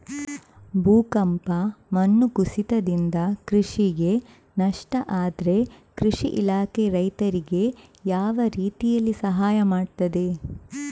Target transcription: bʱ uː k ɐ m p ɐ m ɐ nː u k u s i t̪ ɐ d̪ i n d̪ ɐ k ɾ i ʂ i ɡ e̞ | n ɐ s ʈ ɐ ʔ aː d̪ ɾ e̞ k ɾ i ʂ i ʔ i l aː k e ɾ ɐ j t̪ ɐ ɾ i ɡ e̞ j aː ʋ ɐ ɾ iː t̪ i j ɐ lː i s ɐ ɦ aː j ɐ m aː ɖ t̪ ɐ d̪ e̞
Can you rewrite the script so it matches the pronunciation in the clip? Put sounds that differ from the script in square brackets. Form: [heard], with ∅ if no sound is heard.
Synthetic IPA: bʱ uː k ɐ m p ɐ m ɐ nː u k u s i t̪ ɐ d̪ i n d̪ ɐ k ɾ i ʂ i ɡ e̞ | n ɐ [ʂ] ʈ ɐ ʔ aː d̪ ɾ e̞ k ɾ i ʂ i ʔ i l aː k e ɾ ɐ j t̪ ɐ ɾ i ɡ e̞ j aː ʋ ɐ ɾ iː t̪ i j ɐ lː i s ɐ ɦ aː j ɐ m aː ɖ t̪ ɐ d̪ e̞